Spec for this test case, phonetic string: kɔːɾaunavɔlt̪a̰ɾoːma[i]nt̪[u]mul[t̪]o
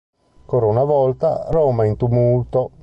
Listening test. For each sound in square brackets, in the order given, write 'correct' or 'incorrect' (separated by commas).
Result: correct, correct, correct